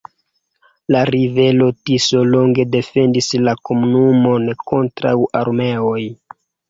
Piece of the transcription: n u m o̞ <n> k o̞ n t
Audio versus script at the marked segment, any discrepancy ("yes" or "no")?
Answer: no